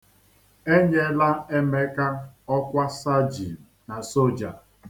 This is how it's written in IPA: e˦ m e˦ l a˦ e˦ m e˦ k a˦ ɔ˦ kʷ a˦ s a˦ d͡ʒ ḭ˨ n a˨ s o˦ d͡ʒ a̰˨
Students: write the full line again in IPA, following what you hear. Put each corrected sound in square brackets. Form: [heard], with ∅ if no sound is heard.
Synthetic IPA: e˦ [ɲ] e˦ l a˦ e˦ m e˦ k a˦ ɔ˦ kʷ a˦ s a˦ d͡ʒ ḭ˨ n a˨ s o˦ d͡ʒ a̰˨